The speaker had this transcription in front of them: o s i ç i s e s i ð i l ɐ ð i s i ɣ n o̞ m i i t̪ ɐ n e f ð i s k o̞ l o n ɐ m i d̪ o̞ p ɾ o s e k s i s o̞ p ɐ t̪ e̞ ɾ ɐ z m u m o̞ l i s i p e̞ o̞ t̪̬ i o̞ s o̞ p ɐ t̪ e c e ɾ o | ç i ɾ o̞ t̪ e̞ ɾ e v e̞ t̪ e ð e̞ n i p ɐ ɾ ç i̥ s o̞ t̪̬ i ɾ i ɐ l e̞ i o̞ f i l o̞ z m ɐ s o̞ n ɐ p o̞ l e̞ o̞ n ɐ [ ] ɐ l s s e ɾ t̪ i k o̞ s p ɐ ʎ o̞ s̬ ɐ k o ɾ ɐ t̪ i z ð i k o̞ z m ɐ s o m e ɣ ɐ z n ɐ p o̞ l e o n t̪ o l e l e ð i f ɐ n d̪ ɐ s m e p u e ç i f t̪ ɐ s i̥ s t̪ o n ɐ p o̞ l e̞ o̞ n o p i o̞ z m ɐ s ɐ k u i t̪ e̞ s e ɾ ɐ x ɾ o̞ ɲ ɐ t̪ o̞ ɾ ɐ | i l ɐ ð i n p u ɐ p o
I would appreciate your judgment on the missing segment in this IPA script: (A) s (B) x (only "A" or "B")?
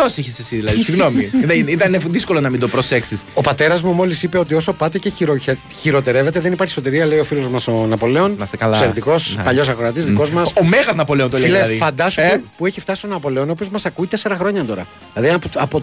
A